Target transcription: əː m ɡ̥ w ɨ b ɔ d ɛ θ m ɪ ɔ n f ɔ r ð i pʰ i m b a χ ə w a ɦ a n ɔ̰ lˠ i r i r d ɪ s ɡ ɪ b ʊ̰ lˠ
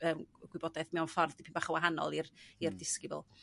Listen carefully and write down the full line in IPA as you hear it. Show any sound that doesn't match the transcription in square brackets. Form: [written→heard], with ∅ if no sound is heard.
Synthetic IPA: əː m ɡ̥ w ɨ b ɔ d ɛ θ m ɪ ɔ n f ɔ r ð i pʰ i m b a χ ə w a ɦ a n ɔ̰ lˠ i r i r d ɪ s [ɡ→k] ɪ b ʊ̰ lˠ